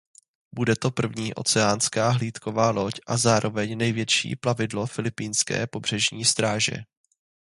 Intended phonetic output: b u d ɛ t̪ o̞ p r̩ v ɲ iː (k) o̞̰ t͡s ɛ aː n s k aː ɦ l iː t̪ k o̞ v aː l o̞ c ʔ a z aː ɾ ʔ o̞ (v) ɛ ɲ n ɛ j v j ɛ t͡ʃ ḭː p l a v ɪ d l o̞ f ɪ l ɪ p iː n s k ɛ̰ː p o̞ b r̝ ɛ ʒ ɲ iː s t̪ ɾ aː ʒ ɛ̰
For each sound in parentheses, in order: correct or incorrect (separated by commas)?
incorrect, correct